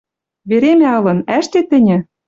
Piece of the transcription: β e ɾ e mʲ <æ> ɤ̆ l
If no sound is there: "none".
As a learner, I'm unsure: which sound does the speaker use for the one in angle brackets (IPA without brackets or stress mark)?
æ